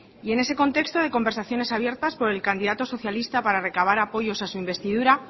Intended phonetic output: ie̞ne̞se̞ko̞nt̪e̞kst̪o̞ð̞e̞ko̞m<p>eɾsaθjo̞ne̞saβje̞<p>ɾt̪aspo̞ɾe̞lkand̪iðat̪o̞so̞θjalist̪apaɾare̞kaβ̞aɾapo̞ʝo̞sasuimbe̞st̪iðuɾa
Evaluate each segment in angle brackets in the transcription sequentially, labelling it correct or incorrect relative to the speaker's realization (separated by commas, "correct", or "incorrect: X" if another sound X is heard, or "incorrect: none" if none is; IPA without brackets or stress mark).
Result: incorrect: b, incorrect: none